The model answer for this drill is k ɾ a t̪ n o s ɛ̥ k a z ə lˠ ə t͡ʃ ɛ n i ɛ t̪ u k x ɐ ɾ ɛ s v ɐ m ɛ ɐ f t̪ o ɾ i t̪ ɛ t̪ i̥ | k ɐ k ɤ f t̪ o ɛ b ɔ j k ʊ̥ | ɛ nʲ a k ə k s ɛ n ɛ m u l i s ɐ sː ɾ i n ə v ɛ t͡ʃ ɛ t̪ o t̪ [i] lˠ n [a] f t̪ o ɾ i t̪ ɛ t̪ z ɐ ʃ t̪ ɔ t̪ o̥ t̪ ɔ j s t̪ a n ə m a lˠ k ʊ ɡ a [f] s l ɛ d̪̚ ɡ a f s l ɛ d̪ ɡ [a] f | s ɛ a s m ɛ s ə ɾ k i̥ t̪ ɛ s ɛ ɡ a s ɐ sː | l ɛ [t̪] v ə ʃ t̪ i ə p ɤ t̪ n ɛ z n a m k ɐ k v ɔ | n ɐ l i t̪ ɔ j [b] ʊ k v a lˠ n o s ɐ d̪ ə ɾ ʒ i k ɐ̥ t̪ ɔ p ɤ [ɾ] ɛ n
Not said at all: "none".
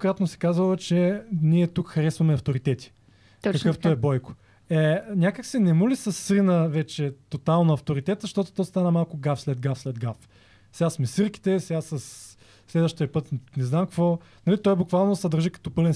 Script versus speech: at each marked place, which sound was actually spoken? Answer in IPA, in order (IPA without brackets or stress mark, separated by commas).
a, ɐ, f, a, d̪, b, l